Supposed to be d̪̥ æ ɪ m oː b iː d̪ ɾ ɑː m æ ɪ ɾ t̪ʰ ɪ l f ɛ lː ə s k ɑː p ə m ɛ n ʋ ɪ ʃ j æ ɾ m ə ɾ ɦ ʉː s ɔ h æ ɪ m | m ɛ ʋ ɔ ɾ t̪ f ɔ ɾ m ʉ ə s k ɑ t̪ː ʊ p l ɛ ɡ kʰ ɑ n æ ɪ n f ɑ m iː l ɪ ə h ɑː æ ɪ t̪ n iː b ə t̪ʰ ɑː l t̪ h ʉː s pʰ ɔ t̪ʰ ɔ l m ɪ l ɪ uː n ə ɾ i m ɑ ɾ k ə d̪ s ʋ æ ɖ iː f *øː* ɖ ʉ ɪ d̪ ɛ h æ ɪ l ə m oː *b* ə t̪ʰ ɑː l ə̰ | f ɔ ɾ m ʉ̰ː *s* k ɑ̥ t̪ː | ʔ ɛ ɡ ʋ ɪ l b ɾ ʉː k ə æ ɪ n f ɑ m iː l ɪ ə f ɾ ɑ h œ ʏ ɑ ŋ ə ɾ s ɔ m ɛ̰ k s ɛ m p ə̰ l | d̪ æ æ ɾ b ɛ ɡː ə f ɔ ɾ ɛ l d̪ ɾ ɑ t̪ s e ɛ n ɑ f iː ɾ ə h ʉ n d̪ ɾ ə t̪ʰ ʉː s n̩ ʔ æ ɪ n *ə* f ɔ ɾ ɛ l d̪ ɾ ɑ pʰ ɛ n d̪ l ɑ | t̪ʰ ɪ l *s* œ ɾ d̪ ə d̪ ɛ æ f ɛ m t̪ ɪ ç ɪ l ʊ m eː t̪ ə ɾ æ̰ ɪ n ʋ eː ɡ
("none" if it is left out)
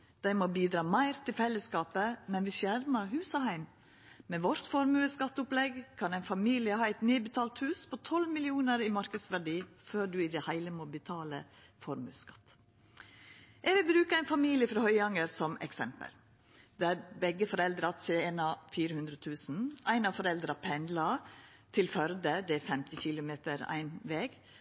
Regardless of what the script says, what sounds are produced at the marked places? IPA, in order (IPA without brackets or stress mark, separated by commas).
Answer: øː, b, s, ɑ, f